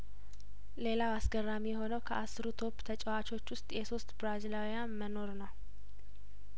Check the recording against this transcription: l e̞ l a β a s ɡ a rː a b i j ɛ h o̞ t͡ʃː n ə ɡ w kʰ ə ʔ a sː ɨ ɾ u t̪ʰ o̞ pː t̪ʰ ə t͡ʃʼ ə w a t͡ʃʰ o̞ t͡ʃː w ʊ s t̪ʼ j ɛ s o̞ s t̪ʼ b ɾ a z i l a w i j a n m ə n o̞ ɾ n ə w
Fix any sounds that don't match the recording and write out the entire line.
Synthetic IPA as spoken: l e̞ l a w a s ɡ ə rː a m i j ɛ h o̞ n ə w kʰ ə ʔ a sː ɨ ɾ u t̪ʰ o̞ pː t̪ʰ ə t͡ʃʼ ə w a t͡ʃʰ o̞ t͡ʃː w ʊ s t̪ʼ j ɛ s o̞ s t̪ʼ b ɾ a z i l a w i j a n m ə n o̞ ɾ n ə w